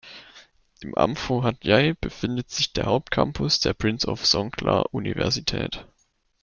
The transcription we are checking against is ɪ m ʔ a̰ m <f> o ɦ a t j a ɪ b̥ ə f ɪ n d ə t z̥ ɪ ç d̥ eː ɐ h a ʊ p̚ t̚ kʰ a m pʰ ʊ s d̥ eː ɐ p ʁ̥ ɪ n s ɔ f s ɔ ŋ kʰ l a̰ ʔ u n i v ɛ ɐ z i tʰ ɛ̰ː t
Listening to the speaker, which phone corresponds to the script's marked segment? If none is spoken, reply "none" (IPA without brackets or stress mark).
f